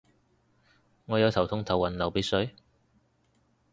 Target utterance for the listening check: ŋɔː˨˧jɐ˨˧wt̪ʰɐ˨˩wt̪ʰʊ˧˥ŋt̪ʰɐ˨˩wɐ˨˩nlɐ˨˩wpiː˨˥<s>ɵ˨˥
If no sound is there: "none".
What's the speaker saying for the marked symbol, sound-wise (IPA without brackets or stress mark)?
s